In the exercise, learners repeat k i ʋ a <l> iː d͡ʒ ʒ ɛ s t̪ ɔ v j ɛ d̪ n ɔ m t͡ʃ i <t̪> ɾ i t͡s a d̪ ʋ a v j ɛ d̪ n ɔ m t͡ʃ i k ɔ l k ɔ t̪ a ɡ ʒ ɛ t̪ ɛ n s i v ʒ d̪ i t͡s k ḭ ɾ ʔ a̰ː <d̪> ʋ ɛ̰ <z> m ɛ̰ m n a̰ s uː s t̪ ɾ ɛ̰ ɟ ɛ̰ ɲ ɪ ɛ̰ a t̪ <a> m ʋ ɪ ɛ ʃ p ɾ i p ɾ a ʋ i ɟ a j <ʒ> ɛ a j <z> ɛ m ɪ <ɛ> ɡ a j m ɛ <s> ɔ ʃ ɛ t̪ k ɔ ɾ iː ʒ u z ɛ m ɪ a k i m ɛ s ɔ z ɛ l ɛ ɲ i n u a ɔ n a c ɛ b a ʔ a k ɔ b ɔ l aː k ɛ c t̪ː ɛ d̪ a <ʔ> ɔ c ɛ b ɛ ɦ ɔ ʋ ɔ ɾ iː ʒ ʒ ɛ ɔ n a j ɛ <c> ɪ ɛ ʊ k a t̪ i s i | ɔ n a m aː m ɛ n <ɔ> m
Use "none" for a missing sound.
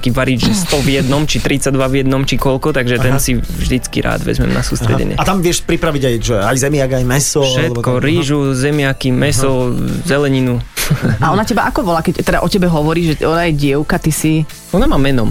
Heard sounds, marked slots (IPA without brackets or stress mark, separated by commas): ɾ, t̪, d̪, z, a, ʒ, z, a, s, ʔ, ɟ, ɔ